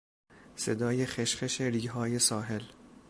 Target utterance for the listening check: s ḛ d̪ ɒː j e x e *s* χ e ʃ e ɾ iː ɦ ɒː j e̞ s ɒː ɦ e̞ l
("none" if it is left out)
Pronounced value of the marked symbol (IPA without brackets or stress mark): ʃ